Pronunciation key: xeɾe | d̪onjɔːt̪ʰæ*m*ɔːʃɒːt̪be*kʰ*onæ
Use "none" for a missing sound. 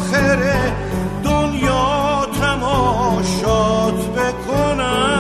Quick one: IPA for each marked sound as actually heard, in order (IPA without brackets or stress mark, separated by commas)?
m, kʰ